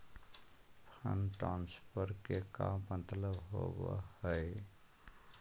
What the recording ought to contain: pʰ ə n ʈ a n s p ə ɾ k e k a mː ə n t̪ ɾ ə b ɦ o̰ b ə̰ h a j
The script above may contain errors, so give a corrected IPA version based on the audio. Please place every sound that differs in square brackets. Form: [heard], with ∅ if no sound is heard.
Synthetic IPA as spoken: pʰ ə n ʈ a n s p ə ɾ k e k a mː ə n t̪ [l] ə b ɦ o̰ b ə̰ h [ə] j